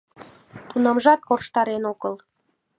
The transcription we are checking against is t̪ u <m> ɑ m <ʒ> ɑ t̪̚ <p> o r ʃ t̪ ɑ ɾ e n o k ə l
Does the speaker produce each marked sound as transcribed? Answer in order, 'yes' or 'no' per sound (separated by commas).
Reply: no, yes, no